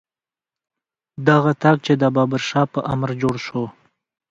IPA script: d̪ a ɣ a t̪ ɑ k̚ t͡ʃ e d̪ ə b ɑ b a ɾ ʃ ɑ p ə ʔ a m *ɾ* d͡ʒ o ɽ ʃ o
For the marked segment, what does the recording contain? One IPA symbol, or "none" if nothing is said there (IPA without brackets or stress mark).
ɾ